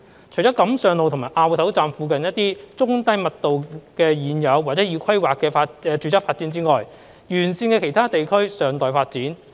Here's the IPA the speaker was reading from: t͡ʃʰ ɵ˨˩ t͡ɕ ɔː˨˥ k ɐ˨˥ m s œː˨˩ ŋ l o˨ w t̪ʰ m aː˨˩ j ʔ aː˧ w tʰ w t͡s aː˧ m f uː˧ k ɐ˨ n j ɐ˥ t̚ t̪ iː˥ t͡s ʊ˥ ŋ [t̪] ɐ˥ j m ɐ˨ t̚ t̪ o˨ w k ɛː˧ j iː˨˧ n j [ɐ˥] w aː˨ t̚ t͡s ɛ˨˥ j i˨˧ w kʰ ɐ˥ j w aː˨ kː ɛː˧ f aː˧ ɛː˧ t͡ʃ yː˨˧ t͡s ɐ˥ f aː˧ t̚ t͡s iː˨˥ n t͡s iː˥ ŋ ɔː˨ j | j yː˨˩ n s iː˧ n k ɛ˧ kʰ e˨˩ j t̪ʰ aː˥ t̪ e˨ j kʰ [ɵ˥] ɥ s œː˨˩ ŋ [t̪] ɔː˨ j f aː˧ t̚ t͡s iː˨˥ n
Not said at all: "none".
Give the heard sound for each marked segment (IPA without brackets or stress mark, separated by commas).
t̪, ɐ˨˧, ɵ˥, t̪